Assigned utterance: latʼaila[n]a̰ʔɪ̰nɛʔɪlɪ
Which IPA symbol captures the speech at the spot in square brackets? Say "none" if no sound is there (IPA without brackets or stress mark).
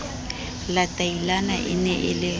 n